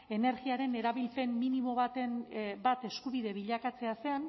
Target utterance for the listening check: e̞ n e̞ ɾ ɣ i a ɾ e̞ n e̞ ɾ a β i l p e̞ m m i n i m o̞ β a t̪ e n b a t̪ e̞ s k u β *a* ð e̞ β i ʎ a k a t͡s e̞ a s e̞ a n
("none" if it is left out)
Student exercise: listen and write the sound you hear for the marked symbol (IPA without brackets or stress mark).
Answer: i